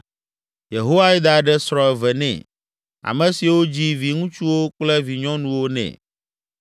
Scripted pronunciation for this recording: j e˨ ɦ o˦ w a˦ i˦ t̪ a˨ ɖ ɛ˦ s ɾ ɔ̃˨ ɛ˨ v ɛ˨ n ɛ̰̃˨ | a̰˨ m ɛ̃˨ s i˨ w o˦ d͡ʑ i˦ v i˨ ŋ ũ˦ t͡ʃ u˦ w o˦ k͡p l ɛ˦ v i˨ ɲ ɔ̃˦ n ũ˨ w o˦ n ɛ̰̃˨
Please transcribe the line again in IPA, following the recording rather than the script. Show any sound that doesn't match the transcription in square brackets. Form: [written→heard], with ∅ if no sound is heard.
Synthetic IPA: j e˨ ɦ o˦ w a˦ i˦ [t̪→d̪] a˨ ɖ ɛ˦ s ɾ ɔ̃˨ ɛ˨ v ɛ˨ n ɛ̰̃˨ | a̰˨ m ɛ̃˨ s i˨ w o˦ d͡ʑ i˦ v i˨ ŋ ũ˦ t͡ʃ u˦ w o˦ k͡p l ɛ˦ v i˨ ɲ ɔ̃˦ n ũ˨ w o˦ n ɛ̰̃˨